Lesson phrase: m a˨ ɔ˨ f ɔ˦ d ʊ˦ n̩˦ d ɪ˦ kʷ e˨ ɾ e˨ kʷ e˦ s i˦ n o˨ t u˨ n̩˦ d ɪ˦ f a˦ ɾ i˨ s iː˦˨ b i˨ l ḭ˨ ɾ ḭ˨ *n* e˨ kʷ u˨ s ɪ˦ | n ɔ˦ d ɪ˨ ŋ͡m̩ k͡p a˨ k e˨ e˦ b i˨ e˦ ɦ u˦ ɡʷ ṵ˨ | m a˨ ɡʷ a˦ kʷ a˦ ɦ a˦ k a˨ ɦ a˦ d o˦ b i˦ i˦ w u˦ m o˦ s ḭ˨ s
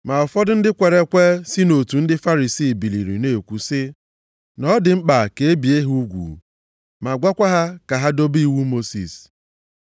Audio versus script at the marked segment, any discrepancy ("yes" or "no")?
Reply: no